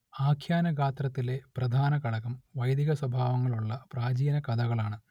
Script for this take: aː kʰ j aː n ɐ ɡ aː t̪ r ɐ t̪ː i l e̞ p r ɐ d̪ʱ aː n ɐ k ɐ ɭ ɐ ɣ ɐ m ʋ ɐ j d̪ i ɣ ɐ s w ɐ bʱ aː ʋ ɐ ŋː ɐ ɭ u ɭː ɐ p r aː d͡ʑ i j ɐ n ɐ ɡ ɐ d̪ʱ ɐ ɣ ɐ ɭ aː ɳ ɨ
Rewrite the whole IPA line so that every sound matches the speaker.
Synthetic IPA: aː kʰ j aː n ɐ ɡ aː t̪ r ɐ t̪ː i l e̞ p r ɐ d̪ʱ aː n ɐ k ɐ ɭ ɐ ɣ ɐ m ʋ ɐ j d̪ i ɣ ɐ s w ɐ bʱ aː ʋ ɐ ŋː ɐ ɭ u ɭː ɐ p r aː d͡ʑ i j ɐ n ɐ k ɐ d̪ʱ ɐ ɣ ɐ ɭ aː ɳ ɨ